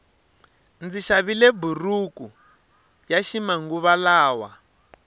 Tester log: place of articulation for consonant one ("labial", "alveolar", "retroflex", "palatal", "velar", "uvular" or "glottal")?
alveolar